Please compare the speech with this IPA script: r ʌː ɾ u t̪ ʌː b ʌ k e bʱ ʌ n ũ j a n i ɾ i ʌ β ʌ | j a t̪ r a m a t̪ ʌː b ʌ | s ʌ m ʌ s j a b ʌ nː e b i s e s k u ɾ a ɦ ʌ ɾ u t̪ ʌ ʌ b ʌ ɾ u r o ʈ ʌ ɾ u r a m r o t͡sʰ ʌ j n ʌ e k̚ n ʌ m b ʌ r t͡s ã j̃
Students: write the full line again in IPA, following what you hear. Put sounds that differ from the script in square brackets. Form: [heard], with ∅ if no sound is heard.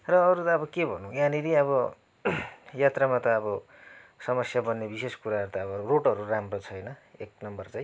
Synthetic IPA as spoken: r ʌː ɾ u t̪ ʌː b ʌ k e bʱ ʌ n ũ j a n i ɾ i ʌ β ʌ | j a t̪ r a m a t̪ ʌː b ʌ | s ʌ m ʌ s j a b ʌ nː e b i s e s k u ɾ a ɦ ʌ ɾ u t̪ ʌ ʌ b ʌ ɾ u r o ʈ ʌ ɾ u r a m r o t͡sʰ ʌ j n ʌ e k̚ n ʌ m b ʌ r t͡s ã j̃